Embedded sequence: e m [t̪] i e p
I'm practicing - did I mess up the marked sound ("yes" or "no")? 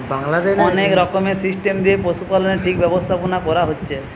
yes